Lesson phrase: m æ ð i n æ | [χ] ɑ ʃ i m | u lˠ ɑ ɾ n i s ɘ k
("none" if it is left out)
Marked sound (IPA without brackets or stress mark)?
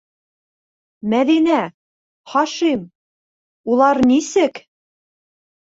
χ